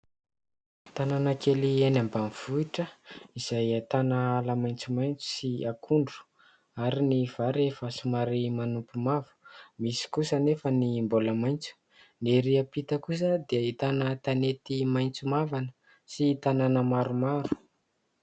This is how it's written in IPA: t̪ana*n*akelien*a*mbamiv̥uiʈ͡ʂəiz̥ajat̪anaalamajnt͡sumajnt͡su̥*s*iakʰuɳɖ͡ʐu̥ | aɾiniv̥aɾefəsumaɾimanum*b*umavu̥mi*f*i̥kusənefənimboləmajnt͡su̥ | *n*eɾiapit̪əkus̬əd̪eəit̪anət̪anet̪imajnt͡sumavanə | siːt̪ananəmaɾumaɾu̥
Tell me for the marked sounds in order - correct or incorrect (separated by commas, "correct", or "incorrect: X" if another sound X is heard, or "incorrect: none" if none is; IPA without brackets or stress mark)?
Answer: correct, correct, correct, incorrect: p, incorrect: s, correct